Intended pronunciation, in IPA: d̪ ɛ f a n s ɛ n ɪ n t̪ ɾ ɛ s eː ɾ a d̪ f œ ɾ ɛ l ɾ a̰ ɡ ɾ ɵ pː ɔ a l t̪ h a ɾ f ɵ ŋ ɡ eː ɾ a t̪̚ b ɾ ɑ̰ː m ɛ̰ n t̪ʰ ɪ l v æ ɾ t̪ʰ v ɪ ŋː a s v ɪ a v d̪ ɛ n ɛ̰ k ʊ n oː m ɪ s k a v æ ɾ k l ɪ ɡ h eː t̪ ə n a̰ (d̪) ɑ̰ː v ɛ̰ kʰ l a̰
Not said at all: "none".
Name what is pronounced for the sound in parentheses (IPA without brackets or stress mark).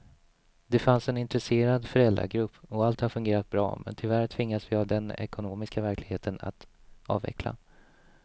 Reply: t̪